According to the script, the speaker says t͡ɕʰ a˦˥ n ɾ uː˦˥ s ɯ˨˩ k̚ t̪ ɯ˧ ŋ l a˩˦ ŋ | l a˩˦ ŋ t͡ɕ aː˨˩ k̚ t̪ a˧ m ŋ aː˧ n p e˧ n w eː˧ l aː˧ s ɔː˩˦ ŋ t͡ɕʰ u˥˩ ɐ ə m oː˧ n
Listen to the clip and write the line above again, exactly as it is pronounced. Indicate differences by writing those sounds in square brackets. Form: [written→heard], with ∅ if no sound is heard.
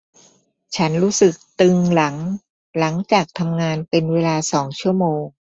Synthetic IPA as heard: t͡ɕʰ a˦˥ n ɾ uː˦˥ s ɯ˨˩ k̚ t̪ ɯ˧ ŋ l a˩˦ ŋ | l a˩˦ ŋ t͡ɕ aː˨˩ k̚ [t̪→t̪ʰ] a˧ m ŋ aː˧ n p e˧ n w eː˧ l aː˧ s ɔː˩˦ ŋ t͡ɕʰ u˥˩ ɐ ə m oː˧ [n→ŋ]

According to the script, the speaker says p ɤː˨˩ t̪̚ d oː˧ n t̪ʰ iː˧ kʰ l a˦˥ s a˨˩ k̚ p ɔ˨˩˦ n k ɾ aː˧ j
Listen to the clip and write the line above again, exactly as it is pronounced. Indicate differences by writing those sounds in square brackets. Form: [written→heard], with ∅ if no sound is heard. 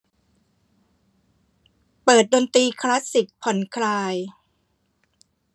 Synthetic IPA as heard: p ɤː˨˩ t̪̚ d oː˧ n [t̪ʰ→t̪] iː˧ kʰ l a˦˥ s [a˨˩→i˨˩] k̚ [p→pʰ] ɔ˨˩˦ n [k→kʰ] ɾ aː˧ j

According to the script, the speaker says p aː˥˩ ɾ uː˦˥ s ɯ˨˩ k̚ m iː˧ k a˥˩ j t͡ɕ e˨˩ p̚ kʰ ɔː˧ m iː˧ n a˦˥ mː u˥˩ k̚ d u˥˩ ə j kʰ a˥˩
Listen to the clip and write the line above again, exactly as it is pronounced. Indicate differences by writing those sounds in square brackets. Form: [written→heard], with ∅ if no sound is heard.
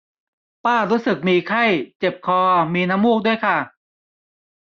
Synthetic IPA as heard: p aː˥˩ ɾ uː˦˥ s ɯ˨˩ k̚ m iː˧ [k→kʰ] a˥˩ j t͡ɕ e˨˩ p̚ kʰ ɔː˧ m iː˧ n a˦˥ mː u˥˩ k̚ d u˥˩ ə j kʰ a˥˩

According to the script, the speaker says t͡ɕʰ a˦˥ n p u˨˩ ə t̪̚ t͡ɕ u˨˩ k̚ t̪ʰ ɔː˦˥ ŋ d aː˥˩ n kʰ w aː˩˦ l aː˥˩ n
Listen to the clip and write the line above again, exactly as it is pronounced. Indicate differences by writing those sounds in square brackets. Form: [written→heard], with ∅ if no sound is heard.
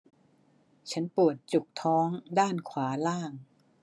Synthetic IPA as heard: t͡ɕʰ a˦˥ n p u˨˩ ə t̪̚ t͡ɕ u˨˩ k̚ t̪ʰ ɔː˦˥ ŋ d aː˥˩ n kʰ w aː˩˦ l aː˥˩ [n→ŋ]

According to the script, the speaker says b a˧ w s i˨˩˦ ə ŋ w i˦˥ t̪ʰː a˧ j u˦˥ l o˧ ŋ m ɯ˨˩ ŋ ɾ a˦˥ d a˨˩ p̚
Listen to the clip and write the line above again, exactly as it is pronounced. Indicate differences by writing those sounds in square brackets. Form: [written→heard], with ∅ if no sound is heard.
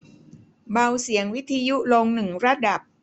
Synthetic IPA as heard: b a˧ w s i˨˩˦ ə ŋ w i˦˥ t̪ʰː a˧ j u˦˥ l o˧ ŋ [m→n] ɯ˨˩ ŋ ɾ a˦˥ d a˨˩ p̚

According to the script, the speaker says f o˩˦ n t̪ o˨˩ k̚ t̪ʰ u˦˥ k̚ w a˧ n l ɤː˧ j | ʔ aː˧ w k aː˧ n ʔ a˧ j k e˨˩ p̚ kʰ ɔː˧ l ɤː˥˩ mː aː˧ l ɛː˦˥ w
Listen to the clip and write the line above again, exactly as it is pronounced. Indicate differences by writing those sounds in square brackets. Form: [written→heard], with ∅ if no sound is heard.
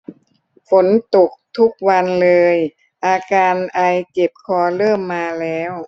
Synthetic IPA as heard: f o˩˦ n t̪ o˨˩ k̚ t̪ʰ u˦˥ k̚ w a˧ n l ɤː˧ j | ʔ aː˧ [w→∅] k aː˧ n ʔ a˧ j k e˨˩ p̚ kʰ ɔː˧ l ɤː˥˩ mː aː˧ l ɛː˦˥ w

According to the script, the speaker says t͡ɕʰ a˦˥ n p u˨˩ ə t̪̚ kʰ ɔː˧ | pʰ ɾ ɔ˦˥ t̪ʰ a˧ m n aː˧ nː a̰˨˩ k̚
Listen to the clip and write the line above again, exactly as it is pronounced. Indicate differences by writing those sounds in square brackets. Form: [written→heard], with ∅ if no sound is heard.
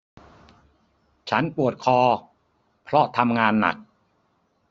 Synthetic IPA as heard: t͡ɕʰ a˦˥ n p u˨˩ ə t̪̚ kʰ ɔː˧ | pʰ ɾ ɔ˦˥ t̪ʰ a˧ m [n→ŋ] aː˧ nː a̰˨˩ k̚

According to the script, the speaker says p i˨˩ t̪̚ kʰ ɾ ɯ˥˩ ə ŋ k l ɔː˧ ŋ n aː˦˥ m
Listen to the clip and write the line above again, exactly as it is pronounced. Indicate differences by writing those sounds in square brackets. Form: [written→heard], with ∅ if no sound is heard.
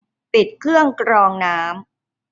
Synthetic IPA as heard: p i˨˩ t̪̚ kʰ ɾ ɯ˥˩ ə ŋ k [l→ɾ] ɔː˧ ŋ n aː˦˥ m

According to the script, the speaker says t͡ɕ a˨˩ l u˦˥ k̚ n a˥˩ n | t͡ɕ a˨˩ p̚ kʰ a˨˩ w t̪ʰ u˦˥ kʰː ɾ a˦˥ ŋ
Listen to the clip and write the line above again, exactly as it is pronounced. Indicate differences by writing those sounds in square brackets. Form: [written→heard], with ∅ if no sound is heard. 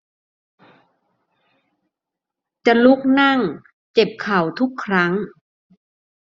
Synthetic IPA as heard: t͡ɕ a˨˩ l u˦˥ k̚ n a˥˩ [n→ŋ] | t͡ɕ [a˨˩→e˨˩] p̚ kʰ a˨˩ w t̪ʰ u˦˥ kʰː ɾ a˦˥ ŋ

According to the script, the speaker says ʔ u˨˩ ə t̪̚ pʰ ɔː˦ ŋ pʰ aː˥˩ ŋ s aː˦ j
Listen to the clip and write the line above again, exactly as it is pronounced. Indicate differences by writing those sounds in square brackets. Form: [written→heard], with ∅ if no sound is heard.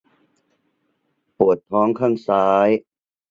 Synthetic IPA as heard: [ʔ→p] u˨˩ ə t̪̚ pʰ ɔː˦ ŋ [pʰ→kʰ] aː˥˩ ŋ s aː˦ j

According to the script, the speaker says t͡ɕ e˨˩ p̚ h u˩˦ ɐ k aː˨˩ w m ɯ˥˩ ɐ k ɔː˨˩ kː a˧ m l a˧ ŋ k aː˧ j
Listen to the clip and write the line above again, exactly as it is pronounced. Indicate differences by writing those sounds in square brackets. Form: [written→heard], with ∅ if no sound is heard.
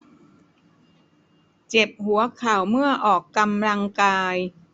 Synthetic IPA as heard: t͡ɕ e˨˩ p̚ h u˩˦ ɐ [k→kʰ] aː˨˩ w m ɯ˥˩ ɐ [k→ʔ] ɔː˨˩ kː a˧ m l a˧ ŋ k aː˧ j

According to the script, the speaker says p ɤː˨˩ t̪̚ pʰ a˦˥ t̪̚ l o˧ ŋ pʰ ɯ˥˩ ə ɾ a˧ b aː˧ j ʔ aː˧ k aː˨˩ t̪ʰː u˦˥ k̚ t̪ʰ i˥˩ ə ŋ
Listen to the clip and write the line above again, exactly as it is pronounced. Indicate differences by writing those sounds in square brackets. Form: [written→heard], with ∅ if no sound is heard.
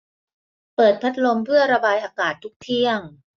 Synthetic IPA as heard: p ɤː˨˩ t̪̚ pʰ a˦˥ t̪̚ l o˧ [ŋ→m] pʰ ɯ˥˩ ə ɾ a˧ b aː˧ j ʔ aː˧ k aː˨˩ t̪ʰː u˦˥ k̚ t̪ʰ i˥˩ ə ŋ

